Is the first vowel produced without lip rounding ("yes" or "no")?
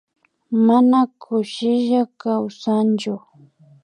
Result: yes